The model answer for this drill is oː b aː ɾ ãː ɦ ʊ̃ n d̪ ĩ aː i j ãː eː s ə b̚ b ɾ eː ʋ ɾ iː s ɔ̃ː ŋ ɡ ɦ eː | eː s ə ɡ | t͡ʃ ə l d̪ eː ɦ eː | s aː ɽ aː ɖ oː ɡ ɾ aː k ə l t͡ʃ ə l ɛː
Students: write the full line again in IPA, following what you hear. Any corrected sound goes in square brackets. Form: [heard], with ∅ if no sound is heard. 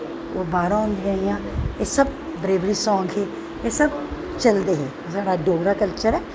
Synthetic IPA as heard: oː b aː ɾ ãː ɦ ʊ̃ n d̪ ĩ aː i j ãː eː s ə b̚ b ɾ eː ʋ ɾ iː s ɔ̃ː ŋ ɡ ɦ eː | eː s ə [b] | t͡ʃ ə l d̪ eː ɦ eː | s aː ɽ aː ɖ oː ɡ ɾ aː k ə l t͡ʃ ə [ɾ] ɛː